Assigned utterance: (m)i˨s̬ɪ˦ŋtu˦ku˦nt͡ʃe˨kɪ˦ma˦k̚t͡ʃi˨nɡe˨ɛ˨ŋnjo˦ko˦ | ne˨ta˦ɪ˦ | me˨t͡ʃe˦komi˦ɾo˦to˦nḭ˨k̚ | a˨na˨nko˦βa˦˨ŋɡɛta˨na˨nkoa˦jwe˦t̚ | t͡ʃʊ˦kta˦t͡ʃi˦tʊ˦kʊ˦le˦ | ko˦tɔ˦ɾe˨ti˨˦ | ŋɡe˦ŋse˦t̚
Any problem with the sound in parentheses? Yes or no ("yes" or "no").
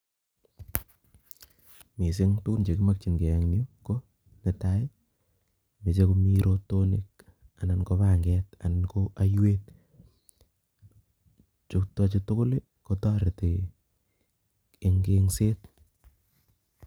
no